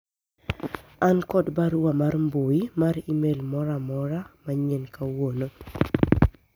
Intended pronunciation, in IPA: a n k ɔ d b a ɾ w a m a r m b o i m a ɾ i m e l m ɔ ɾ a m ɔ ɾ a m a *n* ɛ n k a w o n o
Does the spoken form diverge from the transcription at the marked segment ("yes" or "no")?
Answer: yes